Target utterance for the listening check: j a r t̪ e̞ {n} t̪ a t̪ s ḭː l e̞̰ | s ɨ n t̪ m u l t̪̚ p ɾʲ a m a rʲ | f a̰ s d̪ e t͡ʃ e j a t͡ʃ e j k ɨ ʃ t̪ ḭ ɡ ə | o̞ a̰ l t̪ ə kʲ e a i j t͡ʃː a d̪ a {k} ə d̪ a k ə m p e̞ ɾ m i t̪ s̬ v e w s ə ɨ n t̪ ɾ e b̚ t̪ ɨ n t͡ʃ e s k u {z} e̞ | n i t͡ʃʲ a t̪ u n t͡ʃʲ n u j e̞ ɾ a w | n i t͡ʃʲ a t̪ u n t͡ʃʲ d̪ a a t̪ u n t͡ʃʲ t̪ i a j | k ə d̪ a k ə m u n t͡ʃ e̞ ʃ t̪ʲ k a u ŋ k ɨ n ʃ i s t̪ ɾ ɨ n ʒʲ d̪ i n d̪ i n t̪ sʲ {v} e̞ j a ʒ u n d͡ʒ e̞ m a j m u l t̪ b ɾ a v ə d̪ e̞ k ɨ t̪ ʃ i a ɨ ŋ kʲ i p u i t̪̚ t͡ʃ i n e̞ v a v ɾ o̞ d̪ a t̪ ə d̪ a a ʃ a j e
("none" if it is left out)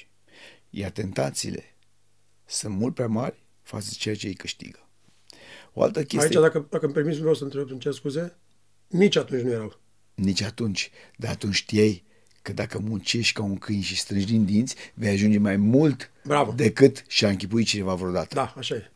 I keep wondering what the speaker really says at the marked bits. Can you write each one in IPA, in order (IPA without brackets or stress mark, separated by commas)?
n, k, z, v